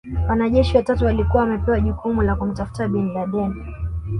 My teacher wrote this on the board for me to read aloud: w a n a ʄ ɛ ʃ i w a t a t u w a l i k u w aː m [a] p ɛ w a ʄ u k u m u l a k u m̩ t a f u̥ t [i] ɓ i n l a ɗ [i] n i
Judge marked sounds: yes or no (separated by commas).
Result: no, no, no